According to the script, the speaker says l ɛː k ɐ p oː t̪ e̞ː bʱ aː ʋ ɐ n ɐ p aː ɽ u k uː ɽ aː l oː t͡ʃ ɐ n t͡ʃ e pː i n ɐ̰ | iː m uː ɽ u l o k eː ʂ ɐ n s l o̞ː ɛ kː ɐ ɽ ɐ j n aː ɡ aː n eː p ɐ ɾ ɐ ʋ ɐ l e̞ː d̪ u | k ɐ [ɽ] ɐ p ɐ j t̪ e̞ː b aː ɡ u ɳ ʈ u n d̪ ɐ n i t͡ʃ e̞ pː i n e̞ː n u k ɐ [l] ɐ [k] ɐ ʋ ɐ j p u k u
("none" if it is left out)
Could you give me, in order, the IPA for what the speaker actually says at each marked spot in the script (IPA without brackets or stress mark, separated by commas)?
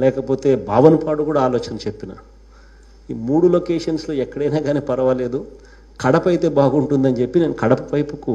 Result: ɽ, ɽ, p